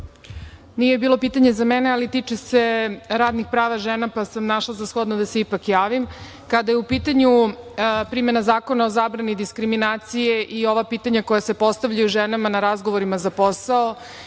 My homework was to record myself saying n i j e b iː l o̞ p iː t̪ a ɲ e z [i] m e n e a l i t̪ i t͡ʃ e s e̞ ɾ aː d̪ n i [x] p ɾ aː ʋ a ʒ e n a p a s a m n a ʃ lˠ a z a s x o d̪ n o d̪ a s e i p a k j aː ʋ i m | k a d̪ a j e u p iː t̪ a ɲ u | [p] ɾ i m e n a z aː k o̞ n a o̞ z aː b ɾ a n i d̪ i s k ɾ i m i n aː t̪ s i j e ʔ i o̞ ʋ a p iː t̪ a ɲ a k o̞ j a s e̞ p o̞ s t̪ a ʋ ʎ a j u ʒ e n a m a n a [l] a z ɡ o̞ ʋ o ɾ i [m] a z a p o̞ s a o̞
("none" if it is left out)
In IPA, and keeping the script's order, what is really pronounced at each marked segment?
a, x, p, ɾ, m

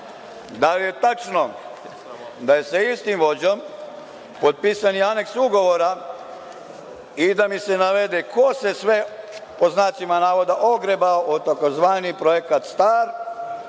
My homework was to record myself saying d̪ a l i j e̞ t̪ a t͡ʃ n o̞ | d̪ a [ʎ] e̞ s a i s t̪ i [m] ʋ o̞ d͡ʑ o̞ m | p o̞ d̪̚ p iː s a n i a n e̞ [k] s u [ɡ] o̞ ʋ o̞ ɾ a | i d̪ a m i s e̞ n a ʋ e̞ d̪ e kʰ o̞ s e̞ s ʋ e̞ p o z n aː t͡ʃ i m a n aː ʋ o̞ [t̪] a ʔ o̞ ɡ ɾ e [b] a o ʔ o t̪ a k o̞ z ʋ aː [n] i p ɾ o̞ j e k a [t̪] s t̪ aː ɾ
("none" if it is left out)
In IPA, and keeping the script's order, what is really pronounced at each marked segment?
j, m, k, ɡ, d̪, b, n, t̪

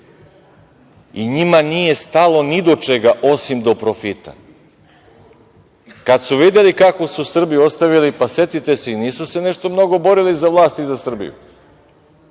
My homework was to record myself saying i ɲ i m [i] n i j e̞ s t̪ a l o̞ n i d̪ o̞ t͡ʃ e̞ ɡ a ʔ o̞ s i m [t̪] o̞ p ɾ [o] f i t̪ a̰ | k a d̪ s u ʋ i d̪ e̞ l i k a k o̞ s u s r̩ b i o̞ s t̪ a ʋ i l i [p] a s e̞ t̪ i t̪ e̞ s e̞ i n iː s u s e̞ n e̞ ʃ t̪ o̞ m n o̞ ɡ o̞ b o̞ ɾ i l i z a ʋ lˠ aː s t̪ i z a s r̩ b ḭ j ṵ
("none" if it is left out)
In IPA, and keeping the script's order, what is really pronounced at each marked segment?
a, d̪, o, p

